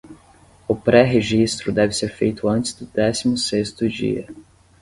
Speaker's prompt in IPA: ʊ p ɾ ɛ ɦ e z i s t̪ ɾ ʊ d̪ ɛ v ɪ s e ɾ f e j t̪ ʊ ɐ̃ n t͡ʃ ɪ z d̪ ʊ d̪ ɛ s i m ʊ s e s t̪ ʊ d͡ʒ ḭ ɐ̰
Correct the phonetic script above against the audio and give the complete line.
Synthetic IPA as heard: ʊ p ɾ ɛ ɦ e ʒ i s t̪ ɾ ʊ d̪ ɛ v ɪ s e ɾ f e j t̪ ʊ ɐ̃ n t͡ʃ ɪ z d̪ ʊ d̪ ɛ s i m ʊ s e s t̪ ʊ d͡ʒ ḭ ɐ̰